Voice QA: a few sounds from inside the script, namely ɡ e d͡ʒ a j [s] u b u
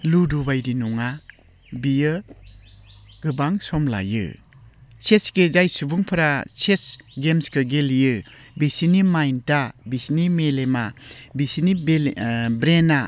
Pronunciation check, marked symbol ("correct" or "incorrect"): correct